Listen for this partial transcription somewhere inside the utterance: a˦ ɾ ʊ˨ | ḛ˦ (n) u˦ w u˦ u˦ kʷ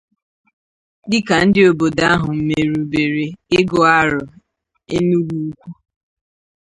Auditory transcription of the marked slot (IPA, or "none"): n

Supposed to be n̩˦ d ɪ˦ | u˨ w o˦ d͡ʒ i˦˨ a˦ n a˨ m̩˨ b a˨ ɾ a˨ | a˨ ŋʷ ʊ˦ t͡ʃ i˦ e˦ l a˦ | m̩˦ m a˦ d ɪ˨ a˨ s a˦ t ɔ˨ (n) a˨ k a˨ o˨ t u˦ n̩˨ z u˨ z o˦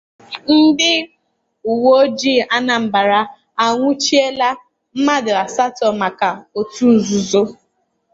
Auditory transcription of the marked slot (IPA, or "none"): m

